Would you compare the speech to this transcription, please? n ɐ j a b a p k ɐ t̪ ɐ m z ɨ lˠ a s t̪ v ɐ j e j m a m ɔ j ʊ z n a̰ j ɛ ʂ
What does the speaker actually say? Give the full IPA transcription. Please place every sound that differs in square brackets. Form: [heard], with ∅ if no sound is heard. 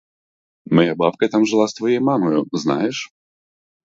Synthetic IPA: [m] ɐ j a b a p k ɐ t̪ [a] m [ʐ] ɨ lˠ a s t̪ v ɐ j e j m a m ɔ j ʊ z n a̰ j ɛ ʂ